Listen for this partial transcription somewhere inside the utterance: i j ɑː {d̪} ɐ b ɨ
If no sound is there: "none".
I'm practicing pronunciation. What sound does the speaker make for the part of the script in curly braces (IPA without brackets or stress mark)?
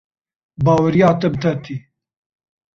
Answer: t̪